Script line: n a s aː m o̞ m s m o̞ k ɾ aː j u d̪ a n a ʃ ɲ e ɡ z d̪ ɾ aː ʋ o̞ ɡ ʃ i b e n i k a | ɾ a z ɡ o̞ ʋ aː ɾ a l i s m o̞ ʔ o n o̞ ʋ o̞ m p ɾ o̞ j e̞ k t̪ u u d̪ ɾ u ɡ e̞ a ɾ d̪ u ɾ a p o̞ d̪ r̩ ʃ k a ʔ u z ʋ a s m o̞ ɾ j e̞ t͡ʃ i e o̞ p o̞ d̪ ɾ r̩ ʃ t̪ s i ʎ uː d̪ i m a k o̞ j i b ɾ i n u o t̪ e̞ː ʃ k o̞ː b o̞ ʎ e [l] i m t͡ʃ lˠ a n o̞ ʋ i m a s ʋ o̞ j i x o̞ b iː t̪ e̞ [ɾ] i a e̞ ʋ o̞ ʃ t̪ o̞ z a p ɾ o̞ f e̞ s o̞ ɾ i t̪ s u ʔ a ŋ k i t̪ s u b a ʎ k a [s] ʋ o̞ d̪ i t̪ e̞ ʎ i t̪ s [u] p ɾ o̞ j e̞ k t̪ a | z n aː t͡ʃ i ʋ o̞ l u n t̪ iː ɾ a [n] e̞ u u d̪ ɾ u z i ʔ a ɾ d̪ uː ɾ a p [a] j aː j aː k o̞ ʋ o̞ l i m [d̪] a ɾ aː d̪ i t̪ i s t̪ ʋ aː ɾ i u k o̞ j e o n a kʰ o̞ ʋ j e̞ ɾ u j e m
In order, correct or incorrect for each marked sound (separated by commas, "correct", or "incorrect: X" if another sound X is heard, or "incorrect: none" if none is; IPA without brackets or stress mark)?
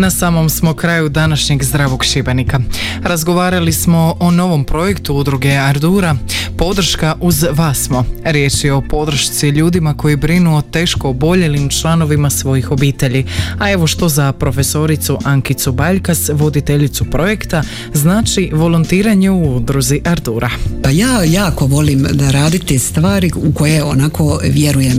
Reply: correct, incorrect: ʎ, correct, correct, incorrect: ɲ, correct, correct